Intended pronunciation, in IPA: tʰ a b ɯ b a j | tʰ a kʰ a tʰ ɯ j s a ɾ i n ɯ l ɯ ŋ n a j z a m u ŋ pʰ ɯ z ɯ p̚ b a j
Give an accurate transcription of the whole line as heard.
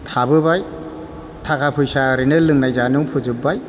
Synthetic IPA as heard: tʰ a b ɯ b a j | tʰ a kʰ a pʰ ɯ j s a ɾ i n ɯ l ɯ ŋ n a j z a n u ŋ pʰ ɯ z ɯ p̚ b a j